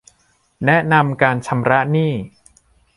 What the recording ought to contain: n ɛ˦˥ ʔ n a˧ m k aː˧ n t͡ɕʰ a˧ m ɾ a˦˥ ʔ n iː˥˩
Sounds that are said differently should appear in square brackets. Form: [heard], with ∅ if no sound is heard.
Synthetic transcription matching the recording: n ɛ˦˥ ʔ n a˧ m k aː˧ n t͡ɕʰ a˧ m ɾ a˦˥ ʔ n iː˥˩